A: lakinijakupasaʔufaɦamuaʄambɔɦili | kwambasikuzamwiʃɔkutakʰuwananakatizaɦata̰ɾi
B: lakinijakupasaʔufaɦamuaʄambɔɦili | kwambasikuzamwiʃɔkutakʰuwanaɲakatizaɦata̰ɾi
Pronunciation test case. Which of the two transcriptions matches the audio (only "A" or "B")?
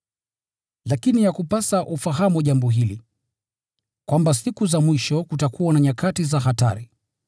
B